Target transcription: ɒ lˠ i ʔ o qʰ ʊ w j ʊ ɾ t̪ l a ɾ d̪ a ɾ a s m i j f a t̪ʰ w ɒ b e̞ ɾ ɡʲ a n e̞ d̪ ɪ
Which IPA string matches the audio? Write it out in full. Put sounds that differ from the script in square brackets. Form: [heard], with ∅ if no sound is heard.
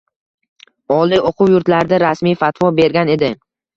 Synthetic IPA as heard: ɒ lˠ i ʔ o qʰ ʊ w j ʊ ɾ t̪ l a ɾ d̪ a ɾ a s m i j f a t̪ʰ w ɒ b e̞ ɾ ɡʲ a n e̞ d̪ ɪ